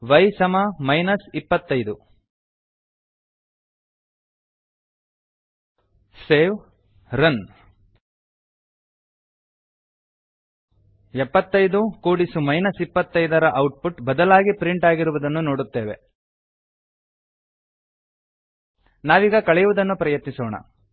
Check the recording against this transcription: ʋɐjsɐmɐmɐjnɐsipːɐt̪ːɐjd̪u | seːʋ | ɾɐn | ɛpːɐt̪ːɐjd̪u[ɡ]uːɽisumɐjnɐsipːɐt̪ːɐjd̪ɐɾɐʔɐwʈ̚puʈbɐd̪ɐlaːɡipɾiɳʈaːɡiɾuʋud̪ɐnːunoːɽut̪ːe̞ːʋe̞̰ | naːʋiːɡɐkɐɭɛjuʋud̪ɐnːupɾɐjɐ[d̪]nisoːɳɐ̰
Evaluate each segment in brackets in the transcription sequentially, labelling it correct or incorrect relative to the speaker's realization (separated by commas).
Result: incorrect, incorrect